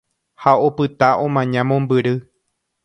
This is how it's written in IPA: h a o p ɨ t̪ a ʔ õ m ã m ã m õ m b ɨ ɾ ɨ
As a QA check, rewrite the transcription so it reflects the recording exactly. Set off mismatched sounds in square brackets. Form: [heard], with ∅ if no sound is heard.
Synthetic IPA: h a o p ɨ t̪ a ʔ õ m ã [ɲ] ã m õ m b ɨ ɾ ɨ